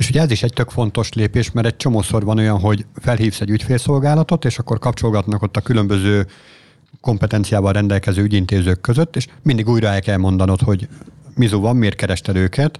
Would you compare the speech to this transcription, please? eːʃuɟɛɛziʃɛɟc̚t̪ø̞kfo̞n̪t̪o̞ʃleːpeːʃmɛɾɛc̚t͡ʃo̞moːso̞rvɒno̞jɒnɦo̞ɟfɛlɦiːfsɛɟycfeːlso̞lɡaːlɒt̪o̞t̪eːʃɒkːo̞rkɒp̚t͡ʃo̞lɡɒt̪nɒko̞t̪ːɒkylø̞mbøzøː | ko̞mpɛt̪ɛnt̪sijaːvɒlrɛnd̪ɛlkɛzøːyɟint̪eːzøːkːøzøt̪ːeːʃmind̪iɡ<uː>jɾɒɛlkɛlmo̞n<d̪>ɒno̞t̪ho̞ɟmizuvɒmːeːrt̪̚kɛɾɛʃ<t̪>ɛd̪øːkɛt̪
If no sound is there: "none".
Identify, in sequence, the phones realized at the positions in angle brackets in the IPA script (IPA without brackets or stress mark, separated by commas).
uː, d̪, t̪